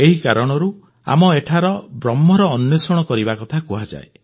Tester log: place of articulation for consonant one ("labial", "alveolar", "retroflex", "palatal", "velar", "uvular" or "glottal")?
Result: glottal